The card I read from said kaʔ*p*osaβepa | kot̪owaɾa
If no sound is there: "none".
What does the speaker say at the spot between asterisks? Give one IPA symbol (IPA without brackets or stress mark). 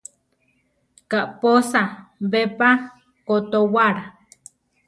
p